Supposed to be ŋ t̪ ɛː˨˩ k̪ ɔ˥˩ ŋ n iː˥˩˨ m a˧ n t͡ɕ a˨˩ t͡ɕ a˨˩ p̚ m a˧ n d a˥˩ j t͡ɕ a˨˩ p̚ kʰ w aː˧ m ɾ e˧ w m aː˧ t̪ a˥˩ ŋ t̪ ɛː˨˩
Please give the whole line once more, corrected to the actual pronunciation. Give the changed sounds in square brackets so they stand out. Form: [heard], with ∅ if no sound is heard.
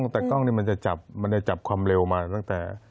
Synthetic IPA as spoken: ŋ t̪ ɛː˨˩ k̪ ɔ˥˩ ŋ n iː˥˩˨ m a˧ n t͡ɕ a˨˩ t͡ɕ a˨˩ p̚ m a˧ n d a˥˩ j t͡ɕ a˨˩ p̚ kʰ w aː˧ m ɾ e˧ w m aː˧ t̪ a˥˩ ŋ t̪ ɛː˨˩

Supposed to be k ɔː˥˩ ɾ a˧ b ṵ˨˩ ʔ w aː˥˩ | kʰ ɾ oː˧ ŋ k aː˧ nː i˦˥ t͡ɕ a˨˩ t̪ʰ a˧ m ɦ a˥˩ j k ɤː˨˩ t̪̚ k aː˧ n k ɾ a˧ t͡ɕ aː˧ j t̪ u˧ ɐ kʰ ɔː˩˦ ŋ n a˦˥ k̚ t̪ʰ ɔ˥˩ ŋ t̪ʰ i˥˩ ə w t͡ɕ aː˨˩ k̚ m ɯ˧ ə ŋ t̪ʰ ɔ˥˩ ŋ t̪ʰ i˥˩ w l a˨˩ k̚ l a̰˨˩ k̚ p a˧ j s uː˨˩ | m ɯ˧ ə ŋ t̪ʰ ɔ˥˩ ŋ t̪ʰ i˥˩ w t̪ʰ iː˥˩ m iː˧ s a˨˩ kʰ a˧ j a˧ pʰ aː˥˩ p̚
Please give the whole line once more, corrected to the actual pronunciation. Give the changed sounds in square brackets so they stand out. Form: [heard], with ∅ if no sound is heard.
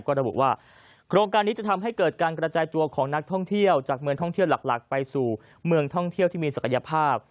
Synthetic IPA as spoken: k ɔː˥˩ ɾ a˧ b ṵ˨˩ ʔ w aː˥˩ | kʰ ɾ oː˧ ŋ k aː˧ nː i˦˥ t͡ɕ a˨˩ t̪ʰ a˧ m ɦ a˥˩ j k ɤː˨˩ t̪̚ k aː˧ n k ɾ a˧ t͡ɕ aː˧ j t̪ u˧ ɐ kʰ ɔː˩˦ ŋ n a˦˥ k̚ t̪ʰ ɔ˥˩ ŋ t̪ʰ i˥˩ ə w t͡ɕ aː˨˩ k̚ m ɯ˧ ə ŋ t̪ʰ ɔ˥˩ ŋ t̪ʰ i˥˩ w l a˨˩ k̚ l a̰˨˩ k̚ p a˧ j s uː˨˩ | m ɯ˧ ə ŋ t̪ʰ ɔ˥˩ ŋ t̪ʰ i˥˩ w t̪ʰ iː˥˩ m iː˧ s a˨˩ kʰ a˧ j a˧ pʰ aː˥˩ p̚

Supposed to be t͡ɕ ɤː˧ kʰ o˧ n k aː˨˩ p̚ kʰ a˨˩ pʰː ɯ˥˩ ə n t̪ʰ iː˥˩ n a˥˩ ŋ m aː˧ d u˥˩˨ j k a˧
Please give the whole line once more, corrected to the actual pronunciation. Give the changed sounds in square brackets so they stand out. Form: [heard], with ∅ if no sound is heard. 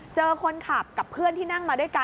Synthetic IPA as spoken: t͡ɕ ɤː˧ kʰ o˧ n [kʰ] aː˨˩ p̚ [k] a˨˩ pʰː ɯ˥˩ ə n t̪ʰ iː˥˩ n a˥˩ ŋ m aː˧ d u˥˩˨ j k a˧

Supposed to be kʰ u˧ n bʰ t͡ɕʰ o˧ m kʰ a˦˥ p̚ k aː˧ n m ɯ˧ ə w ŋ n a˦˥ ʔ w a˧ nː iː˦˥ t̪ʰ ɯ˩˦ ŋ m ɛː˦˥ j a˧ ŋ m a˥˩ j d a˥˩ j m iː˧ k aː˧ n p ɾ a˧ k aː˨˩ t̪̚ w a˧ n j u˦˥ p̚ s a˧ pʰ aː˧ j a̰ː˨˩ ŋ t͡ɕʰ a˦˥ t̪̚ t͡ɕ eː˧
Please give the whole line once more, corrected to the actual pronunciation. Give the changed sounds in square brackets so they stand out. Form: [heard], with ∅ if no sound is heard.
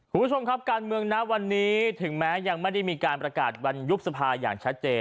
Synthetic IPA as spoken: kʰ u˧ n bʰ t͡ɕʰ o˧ m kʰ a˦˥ p̚ k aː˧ n m ɯ˧ ə [∅] ŋ n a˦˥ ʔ w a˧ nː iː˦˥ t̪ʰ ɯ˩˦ ŋ m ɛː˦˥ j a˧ ŋ m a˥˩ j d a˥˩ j m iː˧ k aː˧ n p ɾ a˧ k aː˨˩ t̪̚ w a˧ n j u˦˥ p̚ s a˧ pʰ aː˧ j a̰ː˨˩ ŋ t͡ɕʰ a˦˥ t̪̚ t͡ɕ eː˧

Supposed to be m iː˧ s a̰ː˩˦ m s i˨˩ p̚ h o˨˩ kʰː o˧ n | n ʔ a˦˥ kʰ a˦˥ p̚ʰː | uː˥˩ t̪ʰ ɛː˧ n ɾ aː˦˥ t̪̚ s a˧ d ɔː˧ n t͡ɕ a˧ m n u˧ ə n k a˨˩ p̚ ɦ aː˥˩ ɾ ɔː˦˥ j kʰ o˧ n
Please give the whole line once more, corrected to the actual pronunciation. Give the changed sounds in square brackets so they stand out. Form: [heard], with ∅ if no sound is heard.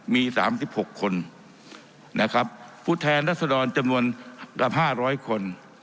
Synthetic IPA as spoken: m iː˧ s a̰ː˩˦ m s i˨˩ p̚ h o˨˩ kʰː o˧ n | n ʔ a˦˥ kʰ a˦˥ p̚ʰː | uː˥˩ t̪ʰ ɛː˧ n ɾ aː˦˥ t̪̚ s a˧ d ɔː˧ n t͡ɕ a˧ m n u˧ ə n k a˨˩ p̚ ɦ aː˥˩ ɾ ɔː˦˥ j kʰ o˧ n

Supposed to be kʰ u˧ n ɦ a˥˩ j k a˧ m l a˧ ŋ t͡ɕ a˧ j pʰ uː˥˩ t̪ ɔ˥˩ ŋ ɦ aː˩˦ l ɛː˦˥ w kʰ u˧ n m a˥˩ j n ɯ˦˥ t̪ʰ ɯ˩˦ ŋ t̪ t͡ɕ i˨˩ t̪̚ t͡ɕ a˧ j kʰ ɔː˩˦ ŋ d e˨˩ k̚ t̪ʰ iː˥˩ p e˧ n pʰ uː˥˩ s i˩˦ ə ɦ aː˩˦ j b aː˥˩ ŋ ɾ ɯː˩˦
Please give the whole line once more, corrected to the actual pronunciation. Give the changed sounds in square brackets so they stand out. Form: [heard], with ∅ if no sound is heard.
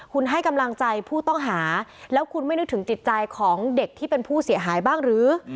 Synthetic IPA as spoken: kʰ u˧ n ɦ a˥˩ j k a˧ m l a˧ ŋ t͡ɕ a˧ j pʰ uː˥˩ t̪ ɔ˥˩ ŋ ɦ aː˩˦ l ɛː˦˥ w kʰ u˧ n m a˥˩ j n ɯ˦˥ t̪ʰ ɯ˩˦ ŋ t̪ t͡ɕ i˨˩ t̪̚ t͡ɕ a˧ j kʰ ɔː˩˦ ŋ d e˨˩ k̚ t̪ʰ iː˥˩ p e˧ n pʰ uː˥˩ s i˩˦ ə ɦ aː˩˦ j b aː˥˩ ŋ ɾ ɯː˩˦

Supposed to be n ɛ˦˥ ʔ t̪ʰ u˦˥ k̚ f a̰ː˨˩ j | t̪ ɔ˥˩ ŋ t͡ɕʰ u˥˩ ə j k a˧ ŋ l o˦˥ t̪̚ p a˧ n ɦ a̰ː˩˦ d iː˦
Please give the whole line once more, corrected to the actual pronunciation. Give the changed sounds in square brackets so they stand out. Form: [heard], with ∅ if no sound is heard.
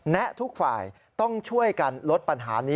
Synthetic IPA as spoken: n ɛ˦˥ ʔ t̪ʰ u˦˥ k̚ f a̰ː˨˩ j | t̪ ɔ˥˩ ŋ t͡ɕʰ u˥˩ ə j k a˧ [n] l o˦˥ t̪̚ p a˧ n ɦ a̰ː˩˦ [n] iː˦

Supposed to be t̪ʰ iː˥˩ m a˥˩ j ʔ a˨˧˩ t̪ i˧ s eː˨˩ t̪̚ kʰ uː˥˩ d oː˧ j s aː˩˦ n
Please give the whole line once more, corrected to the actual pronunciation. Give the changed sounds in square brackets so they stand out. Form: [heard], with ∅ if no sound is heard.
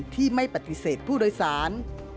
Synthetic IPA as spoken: t̪ʰ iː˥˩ m a˥˩ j [p] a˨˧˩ t̪ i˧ s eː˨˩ t̪̚ [pʰ] uː˥˩ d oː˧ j s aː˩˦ n

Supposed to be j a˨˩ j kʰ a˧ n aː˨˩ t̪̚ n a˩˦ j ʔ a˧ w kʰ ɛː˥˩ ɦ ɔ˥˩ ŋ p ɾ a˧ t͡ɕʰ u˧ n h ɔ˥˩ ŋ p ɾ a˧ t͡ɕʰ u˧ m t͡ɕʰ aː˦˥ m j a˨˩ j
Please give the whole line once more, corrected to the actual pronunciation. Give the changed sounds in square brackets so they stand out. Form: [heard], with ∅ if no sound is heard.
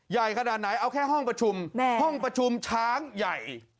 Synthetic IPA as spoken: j a˨˩ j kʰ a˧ n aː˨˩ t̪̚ n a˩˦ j ʔ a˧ w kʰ ɛː˥˩ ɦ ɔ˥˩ ŋ p ɾ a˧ t͡ɕʰ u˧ [m] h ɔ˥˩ ŋ p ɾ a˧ t͡ɕʰ u˧ m t͡ɕʰ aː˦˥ [ŋ] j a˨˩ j

